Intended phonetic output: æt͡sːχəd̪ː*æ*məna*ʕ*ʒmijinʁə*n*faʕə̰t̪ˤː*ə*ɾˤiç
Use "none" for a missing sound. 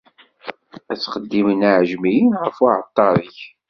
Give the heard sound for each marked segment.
i, ʕ, none, ɑ

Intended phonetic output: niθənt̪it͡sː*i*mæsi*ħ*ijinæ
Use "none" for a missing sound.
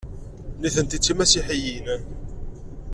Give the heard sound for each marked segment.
i, ħ

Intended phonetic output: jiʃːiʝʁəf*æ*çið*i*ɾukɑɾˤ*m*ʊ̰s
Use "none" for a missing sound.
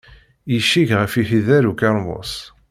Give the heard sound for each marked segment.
i, æ, m

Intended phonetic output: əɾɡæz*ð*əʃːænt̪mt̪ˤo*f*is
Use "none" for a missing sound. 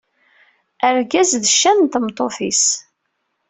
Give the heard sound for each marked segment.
ð, f

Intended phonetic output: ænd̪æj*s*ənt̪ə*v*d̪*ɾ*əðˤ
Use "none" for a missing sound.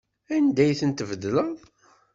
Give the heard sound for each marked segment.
θ, v, l

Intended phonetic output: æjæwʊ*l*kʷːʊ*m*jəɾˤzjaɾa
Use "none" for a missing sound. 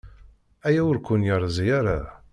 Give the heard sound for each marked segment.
ɾ, n

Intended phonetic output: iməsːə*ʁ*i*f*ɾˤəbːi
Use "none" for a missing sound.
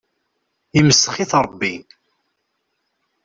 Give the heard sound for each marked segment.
χ, θ

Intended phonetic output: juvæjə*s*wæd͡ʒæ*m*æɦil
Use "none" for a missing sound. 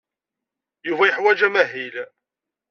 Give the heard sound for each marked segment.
ħ, m

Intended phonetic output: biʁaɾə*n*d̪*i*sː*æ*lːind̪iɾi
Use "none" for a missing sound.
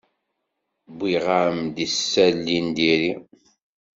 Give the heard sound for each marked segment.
m, i, æ

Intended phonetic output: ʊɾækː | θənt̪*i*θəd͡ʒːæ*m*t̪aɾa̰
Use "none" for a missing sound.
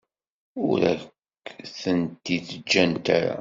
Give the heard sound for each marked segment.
i, n

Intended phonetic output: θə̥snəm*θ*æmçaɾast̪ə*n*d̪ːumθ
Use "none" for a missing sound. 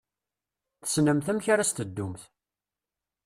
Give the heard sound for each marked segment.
θ, none

